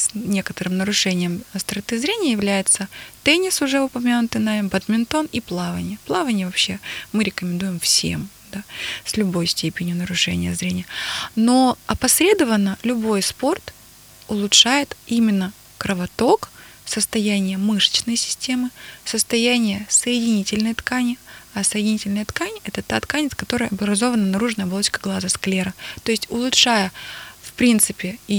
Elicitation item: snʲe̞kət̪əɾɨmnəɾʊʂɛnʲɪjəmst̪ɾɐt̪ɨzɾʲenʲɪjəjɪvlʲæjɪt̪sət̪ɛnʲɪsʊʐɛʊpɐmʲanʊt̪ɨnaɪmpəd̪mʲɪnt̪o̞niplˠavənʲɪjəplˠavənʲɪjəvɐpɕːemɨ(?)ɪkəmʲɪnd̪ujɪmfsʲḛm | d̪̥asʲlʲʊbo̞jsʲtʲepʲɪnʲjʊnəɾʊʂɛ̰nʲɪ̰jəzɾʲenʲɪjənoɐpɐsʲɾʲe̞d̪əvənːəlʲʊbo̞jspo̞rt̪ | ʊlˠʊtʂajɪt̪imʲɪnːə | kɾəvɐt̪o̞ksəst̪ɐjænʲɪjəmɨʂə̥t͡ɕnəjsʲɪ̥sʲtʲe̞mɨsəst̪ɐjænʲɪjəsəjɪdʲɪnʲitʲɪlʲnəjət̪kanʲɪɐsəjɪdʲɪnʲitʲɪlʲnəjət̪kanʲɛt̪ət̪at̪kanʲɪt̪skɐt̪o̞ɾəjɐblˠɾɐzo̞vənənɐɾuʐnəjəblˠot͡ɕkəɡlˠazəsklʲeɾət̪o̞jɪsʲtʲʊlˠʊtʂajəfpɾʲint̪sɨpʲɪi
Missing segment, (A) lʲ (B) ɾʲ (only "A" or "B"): B